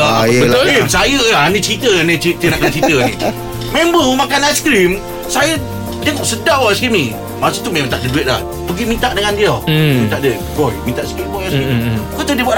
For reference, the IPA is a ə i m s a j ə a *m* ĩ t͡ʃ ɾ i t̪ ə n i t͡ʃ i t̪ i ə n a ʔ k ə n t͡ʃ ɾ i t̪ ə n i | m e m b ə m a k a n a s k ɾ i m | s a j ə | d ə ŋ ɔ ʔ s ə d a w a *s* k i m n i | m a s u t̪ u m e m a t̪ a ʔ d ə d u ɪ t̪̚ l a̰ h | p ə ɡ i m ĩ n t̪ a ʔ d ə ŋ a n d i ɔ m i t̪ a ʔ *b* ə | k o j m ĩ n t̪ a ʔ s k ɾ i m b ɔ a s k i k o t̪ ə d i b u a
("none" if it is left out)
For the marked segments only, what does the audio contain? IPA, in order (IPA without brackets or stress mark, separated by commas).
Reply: n, s, d